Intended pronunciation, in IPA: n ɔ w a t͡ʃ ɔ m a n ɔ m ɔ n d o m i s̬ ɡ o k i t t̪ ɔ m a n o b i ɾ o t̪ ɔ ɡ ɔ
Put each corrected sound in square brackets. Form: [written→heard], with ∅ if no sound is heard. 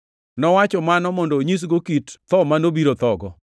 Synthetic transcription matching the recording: n ɔ w a t͡ʃ ɔ m a n ɔ m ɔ n d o [m→ɲ] i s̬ ɡ o k i t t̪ ɔ m a n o b i ɾ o t̪ ɔ ɡ ɔ